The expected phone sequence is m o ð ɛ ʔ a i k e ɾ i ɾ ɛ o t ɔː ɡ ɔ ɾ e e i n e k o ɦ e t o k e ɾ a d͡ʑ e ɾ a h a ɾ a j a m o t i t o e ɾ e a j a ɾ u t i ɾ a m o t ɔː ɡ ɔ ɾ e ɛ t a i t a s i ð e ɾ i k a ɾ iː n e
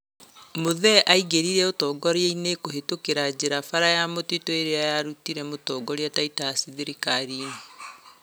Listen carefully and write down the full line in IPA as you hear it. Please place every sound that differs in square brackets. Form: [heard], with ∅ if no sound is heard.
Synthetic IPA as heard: m o ð ɛ ʔ a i [ɡ] e ɾ i ɾ ɛ o t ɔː ɡ ɔ ɾ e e i n e k o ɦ e t o k e ɾ a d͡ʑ e ɾ a [f] a ɾ a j a m o t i t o e ɾ e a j a ɾ u t i ɾ [ɛ] m o t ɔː ɡ ɔ ɾ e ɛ t a i t a s i ð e ɾ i k a ɾ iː n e